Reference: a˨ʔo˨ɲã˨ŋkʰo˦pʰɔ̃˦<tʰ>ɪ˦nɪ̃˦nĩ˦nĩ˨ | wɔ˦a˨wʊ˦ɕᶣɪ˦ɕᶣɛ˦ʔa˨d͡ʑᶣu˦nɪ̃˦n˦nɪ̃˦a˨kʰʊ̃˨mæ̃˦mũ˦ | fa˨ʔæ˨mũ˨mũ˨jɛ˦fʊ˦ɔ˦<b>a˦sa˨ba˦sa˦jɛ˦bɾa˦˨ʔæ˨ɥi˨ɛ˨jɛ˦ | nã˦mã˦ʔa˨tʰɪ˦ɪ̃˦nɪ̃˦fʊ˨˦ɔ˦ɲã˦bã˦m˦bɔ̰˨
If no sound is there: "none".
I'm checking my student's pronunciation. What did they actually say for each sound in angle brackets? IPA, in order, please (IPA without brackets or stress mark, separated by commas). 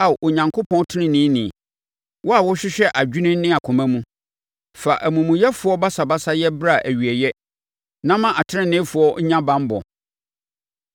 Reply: tʰ, b